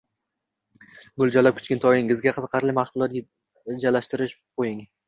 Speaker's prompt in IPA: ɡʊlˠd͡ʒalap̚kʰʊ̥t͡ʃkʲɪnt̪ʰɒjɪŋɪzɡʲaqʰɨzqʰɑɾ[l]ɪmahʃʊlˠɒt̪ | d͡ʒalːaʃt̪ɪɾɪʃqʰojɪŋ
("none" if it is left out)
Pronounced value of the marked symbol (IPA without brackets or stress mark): l